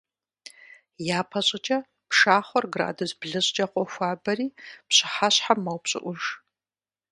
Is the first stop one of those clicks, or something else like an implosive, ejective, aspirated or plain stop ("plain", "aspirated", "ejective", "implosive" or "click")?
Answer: aspirated